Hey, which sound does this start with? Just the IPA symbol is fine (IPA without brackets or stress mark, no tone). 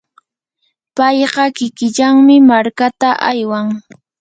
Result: p